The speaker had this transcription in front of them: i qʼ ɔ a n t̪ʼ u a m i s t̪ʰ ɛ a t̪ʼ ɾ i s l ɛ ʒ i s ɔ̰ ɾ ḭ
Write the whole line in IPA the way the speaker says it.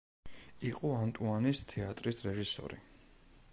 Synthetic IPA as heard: i qʼ ɔ a n t̪ʼ u a n i s t̪ʰ ɛ a t̪ʼ ɾ i s ɾ ɛ ʒ i s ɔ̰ ɾ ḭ